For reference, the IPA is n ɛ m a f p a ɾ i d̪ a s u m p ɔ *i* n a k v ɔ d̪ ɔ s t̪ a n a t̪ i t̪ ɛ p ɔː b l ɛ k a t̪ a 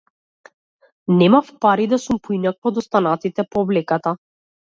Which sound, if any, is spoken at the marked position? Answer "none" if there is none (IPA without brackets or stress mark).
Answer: i